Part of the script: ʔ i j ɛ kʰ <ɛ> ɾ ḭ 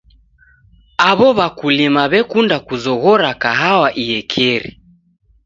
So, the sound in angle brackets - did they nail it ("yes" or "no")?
yes